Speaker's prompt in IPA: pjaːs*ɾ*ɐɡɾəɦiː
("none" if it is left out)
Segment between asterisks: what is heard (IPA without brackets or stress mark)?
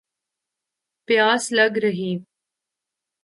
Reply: l